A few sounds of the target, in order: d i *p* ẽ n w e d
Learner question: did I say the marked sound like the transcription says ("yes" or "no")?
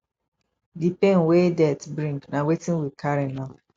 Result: yes